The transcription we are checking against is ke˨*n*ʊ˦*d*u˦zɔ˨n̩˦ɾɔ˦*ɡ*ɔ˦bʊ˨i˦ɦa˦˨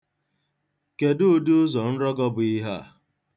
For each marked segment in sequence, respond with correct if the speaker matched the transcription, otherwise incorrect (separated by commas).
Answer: incorrect, correct, correct